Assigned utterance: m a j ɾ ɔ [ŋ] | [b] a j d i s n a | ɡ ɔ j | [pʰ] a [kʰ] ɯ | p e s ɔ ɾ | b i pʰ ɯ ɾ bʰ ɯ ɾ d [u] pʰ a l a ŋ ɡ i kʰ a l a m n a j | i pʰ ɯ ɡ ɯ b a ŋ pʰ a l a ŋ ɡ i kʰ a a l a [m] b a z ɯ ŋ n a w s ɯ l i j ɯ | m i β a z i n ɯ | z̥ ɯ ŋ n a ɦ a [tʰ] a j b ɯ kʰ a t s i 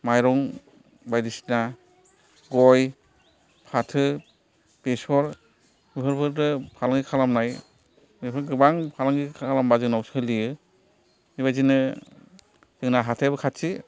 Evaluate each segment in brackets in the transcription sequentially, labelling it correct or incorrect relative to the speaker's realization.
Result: correct, correct, correct, incorrect: tʰ, incorrect: ɯ, correct, correct

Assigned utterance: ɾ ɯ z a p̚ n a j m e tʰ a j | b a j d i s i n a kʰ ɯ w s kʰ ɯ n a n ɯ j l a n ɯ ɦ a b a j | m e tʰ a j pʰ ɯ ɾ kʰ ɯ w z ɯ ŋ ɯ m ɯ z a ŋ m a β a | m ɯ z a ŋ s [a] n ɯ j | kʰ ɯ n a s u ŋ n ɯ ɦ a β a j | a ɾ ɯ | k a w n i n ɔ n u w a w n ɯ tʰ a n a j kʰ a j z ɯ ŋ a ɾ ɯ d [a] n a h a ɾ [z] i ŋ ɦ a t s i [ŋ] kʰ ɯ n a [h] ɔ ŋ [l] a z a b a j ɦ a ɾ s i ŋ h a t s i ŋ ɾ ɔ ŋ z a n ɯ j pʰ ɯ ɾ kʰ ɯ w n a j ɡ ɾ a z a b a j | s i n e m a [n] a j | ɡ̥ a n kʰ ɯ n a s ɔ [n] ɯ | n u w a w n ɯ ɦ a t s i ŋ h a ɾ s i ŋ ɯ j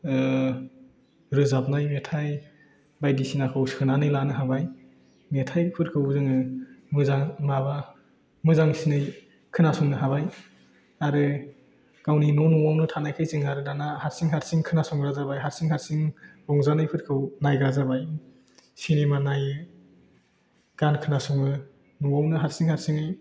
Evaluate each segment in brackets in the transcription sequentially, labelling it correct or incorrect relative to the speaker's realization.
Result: incorrect: i, correct, incorrect: s, correct, incorrect: s, incorrect: ɾ, correct, incorrect: ŋ

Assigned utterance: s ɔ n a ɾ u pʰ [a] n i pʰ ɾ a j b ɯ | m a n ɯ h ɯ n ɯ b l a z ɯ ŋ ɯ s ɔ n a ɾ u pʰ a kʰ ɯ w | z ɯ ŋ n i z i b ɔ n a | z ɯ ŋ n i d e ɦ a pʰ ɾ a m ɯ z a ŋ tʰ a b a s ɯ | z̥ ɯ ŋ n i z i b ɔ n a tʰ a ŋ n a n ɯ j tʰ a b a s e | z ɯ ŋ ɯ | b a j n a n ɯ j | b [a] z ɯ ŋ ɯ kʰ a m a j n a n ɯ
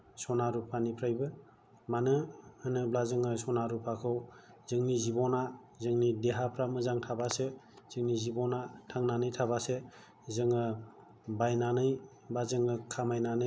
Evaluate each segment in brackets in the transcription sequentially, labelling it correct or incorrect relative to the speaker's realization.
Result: correct, correct

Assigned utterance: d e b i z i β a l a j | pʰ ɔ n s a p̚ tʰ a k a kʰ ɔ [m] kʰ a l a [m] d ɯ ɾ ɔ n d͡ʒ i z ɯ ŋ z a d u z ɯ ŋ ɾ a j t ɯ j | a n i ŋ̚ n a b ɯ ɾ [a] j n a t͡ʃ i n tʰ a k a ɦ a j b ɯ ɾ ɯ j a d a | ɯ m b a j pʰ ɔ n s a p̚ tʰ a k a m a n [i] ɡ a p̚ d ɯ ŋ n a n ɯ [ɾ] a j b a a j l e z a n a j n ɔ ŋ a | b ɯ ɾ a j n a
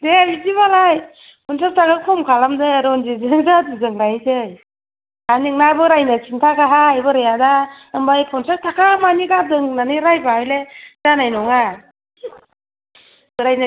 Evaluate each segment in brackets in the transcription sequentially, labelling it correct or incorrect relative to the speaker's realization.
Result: correct, correct, correct, correct, correct

